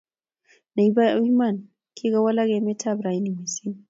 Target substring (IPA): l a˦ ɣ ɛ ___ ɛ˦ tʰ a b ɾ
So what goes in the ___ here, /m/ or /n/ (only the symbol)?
m